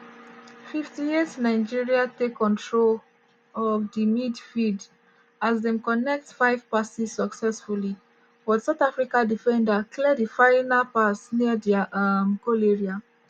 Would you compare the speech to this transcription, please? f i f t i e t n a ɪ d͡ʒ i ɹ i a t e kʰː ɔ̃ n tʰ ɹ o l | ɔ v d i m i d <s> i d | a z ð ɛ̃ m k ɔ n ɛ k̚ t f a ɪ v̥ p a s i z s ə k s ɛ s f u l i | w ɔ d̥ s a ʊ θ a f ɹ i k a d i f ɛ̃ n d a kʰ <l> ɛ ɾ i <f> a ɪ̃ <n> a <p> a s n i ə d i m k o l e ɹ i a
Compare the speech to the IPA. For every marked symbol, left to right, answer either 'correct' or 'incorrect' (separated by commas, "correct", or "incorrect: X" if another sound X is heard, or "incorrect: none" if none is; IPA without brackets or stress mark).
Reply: incorrect: f, correct, correct, correct, correct